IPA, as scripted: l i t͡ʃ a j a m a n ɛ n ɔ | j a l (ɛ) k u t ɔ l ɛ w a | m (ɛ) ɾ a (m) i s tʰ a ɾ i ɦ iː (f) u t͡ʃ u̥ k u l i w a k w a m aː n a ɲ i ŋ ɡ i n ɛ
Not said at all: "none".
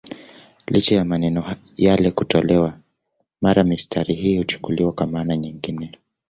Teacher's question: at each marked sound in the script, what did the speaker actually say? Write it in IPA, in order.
ɛ, a, m, h

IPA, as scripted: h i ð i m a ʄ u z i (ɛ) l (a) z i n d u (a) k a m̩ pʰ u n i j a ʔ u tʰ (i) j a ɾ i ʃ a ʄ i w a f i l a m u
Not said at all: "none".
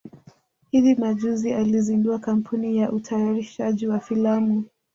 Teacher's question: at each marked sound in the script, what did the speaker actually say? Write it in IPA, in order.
a, i, a, a

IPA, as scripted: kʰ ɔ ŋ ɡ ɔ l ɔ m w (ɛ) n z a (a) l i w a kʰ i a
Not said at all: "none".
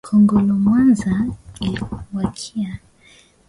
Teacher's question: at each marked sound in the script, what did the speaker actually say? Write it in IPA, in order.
a, i

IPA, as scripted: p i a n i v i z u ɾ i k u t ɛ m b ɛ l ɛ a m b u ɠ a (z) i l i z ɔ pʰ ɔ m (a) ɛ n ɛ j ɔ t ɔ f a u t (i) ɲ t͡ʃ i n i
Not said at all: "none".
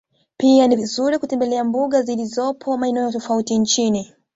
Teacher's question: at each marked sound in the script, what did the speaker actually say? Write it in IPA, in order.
z, a, i

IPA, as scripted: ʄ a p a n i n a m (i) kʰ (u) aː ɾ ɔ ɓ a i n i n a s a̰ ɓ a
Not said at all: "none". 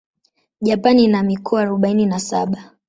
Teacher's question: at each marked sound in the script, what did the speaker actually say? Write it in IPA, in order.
i, ɔ

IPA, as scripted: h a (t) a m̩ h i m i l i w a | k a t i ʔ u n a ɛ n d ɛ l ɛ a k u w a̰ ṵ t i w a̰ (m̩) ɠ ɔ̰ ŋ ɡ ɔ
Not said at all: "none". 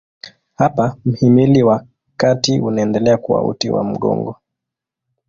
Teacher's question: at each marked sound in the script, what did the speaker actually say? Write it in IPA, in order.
p, m̩

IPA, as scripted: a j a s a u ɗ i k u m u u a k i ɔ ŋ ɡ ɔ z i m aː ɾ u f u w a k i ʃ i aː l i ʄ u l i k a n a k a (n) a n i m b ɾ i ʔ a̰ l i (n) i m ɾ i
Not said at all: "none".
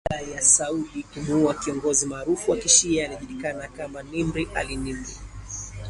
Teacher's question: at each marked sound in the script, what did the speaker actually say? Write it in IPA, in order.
m, n

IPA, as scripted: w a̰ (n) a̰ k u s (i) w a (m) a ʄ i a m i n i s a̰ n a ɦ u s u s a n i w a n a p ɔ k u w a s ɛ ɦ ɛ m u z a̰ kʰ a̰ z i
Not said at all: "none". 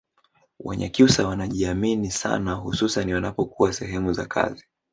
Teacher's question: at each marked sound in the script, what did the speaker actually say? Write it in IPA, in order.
ɲ, a, n

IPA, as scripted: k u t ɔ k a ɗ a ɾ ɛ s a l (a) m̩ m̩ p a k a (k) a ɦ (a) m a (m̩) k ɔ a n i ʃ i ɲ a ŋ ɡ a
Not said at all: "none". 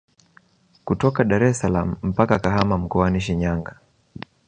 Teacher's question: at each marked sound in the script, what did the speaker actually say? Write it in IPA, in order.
a, k, a, m̩

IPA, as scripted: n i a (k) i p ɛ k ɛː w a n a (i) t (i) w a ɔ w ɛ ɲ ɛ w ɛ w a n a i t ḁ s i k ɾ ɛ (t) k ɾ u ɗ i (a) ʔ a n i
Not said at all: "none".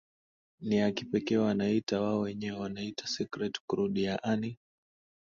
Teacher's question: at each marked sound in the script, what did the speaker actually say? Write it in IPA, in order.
k, i, a, t, a

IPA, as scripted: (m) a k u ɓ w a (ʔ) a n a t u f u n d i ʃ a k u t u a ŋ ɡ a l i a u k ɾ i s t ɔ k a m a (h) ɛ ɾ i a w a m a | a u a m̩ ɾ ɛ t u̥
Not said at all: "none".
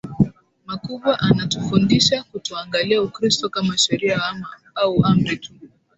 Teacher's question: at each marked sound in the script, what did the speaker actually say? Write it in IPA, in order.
m, ʔ, ʃ

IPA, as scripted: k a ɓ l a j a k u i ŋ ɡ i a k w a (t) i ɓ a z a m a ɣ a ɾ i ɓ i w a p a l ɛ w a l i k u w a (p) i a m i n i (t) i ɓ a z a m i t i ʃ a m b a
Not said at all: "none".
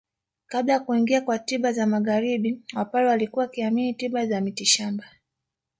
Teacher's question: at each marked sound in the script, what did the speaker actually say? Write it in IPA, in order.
t, k, t

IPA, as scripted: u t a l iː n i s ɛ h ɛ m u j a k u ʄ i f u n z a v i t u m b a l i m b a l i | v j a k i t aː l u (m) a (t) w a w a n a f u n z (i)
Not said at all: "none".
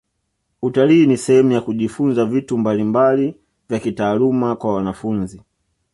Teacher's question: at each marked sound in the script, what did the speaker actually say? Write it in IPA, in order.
m, k, i

